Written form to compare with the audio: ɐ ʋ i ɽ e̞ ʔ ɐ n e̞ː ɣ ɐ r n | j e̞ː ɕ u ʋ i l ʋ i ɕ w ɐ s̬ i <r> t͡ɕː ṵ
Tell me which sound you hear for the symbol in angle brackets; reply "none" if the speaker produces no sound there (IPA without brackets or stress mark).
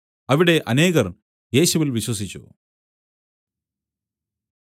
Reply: none